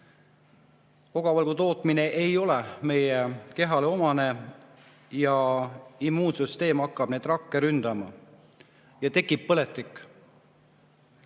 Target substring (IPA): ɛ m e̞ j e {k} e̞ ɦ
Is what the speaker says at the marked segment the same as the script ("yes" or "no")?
yes